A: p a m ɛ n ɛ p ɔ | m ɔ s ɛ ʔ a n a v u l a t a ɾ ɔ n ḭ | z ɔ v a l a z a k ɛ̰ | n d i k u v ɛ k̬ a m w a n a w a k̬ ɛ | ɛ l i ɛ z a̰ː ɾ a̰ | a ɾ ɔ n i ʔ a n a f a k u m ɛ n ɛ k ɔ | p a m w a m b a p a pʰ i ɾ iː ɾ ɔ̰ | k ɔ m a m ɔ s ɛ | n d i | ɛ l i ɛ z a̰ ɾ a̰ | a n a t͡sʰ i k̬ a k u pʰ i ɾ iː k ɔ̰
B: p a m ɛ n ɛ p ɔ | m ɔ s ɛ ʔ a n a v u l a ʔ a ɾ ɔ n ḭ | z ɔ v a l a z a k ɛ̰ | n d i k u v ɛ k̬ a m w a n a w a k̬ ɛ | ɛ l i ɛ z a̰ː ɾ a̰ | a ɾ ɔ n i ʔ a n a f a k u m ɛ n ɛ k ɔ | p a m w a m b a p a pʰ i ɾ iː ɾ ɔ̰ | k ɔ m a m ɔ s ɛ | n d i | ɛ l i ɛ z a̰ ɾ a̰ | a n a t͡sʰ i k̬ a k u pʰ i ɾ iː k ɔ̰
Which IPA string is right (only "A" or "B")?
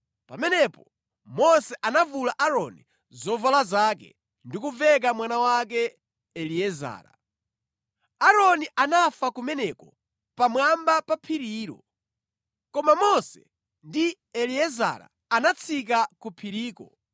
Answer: B